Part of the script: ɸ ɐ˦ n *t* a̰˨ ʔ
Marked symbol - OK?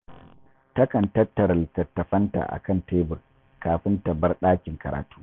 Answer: yes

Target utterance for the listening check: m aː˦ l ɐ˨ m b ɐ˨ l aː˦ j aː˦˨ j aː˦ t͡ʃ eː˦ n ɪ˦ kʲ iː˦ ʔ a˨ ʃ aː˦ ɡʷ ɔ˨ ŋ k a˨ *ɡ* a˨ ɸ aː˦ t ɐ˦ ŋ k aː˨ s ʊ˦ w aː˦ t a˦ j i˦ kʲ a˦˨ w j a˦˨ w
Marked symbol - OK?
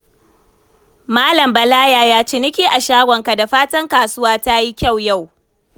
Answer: no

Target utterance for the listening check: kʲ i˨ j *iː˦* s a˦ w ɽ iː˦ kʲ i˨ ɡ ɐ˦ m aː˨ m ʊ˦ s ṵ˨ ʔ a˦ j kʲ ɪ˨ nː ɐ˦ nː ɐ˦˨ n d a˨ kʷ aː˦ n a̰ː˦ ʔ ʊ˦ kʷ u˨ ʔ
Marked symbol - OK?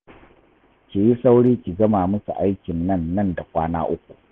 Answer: no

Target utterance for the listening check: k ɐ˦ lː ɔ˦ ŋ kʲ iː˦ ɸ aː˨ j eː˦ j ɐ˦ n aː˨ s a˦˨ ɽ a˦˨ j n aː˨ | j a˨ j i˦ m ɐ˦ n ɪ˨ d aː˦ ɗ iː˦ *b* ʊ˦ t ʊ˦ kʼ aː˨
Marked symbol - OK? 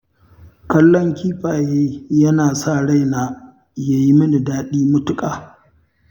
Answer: no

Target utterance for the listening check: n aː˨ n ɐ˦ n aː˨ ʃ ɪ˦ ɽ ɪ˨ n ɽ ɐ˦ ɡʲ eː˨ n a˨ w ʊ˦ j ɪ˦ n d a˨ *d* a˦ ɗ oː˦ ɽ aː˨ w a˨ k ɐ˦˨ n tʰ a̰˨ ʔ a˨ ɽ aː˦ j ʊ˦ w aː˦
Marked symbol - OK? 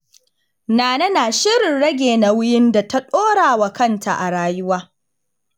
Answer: no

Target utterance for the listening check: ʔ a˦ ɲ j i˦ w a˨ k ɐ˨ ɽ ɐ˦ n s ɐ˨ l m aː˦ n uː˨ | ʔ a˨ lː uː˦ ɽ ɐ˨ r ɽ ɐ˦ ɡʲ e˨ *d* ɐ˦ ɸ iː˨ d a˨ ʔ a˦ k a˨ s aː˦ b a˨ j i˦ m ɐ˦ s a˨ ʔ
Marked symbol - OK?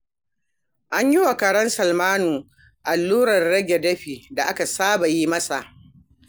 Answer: yes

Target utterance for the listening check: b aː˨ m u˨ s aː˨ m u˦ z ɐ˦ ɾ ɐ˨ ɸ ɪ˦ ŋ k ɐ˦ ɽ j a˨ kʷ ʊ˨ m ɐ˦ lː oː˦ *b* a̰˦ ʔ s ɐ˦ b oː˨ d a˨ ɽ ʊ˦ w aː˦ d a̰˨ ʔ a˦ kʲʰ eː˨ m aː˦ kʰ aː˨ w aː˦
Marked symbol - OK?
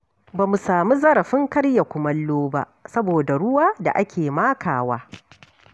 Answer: yes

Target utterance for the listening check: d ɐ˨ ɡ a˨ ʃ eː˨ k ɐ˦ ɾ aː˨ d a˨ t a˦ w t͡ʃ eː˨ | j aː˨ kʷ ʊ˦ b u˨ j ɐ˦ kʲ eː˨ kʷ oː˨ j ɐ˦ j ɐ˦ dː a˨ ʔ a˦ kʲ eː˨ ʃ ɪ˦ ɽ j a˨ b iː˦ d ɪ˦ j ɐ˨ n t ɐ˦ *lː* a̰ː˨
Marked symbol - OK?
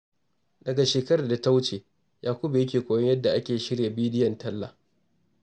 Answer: yes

